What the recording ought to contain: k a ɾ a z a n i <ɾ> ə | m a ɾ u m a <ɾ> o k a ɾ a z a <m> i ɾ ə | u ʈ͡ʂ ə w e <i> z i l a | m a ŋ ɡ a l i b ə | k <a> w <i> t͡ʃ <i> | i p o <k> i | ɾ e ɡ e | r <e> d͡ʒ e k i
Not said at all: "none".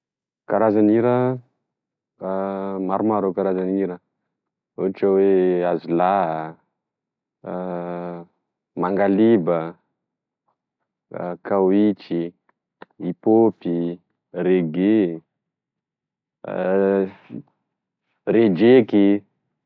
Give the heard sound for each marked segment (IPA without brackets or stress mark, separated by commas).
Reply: ɾ, ɾ, n, a, a, i, i, p, e